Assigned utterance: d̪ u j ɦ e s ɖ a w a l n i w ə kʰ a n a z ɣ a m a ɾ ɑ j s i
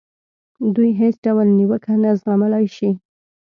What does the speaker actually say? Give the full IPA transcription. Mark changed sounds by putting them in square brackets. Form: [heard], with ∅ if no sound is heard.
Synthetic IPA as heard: d̪ u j ɦ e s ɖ a w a l n i w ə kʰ a n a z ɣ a m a [l] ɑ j [ʃ] i